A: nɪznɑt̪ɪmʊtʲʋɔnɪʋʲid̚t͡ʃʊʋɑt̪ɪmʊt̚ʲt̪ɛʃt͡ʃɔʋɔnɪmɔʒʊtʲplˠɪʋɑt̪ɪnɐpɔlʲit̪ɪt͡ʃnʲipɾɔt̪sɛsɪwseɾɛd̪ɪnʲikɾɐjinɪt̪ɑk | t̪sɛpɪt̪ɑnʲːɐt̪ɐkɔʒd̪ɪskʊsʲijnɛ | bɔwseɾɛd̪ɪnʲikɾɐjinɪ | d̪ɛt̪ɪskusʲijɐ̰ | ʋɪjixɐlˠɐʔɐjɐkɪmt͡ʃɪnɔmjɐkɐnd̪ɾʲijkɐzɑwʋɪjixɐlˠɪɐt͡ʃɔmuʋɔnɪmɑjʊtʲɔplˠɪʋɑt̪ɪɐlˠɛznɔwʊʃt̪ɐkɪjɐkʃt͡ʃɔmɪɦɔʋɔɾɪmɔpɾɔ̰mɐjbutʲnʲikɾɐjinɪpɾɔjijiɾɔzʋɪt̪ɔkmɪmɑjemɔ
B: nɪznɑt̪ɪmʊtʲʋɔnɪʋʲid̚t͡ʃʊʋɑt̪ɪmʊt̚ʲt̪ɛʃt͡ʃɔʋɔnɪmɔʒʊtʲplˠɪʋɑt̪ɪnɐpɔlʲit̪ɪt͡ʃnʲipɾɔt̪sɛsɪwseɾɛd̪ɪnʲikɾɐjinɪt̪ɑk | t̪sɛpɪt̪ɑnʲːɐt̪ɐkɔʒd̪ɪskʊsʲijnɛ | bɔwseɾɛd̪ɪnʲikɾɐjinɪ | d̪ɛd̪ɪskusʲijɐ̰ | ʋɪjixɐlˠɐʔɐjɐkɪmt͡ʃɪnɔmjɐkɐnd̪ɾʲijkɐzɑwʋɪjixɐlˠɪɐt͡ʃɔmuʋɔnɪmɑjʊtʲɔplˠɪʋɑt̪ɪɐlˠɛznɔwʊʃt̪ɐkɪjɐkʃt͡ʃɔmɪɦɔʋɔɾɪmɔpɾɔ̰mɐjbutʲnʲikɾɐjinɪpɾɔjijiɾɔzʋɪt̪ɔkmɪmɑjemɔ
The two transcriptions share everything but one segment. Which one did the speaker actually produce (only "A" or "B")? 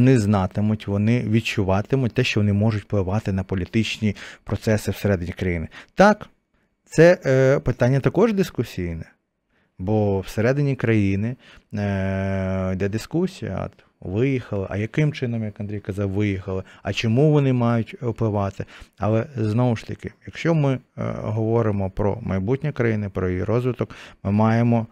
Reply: B